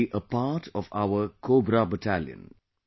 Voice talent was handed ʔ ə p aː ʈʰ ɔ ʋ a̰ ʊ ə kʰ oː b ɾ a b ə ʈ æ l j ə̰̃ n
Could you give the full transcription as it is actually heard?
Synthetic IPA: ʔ ə p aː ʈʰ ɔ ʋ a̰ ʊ ə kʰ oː b ɾ a b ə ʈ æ l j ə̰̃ n